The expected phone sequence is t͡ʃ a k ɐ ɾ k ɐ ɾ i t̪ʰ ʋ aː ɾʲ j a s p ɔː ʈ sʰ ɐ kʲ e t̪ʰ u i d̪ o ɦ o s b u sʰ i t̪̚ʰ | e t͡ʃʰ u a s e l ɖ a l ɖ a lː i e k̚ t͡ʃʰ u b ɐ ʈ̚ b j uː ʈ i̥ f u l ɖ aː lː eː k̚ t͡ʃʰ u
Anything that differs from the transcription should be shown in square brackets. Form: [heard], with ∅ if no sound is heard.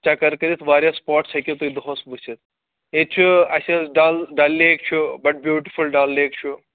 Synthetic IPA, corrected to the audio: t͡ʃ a k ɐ ɾ k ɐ ɾ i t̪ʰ ʋ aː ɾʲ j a s p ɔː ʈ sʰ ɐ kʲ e [t̪] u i d̪ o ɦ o s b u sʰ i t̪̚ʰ | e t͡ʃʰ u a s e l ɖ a l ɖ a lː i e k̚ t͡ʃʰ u b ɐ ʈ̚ b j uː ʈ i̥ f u l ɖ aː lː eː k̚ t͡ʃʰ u